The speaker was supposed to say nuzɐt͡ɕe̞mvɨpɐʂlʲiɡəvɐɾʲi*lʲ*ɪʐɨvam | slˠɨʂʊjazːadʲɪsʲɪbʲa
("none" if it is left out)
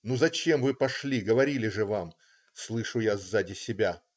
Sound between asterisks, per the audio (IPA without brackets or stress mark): lʲ